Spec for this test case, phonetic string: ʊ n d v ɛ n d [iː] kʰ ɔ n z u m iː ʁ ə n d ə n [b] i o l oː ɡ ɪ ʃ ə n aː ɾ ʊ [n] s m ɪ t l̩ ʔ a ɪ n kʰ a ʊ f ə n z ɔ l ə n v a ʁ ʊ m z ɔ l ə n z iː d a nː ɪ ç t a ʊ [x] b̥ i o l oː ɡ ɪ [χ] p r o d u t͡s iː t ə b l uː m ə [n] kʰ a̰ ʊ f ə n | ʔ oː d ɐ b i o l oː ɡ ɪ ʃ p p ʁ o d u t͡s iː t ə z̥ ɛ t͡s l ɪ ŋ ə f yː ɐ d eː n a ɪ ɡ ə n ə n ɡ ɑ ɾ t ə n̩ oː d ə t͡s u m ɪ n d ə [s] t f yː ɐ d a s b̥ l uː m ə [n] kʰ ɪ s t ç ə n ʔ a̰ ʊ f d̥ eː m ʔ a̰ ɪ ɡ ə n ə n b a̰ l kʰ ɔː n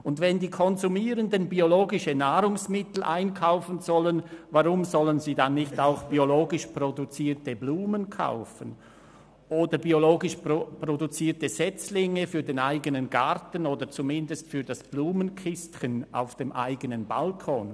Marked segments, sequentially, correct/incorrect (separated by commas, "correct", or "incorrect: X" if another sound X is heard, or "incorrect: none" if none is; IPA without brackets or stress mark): correct, correct, incorrect: ŋ, correct, incorrect: ʃ, correct, correct, correct